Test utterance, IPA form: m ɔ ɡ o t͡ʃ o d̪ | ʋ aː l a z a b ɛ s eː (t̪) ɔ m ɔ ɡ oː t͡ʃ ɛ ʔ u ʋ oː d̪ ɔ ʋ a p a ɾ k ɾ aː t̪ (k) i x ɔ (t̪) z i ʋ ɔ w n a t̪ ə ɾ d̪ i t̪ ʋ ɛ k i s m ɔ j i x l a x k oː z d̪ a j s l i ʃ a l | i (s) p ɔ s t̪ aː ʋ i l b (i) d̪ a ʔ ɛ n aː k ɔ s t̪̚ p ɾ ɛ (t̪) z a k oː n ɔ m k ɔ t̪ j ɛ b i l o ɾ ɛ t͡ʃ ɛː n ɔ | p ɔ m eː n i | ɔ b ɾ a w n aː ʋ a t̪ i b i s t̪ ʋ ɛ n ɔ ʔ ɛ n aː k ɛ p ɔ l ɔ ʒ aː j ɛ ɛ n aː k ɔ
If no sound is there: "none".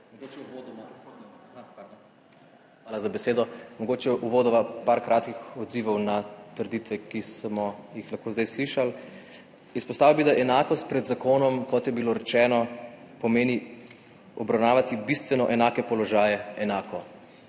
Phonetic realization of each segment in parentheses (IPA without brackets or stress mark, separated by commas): d̪, k, d̪, s, i, d̪